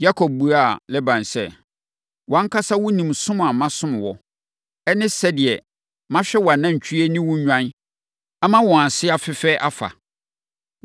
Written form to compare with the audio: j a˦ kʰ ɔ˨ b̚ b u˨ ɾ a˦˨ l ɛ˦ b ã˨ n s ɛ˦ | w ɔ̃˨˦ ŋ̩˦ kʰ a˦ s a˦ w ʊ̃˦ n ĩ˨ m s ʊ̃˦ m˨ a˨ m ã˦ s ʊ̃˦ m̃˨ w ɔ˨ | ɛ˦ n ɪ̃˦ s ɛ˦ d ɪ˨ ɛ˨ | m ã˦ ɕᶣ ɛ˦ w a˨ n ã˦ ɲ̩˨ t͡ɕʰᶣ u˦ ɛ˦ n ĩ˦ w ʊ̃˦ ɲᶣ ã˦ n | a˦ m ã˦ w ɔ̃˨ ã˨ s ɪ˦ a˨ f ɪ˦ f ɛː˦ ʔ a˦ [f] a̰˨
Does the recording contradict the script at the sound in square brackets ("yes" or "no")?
no